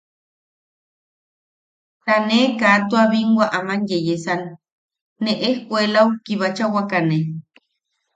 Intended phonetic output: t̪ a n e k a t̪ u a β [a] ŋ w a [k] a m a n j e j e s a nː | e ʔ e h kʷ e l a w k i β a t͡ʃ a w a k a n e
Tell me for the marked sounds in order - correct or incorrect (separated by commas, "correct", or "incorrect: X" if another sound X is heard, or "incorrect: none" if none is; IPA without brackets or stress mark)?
incorrect: i, incorrect: ʔ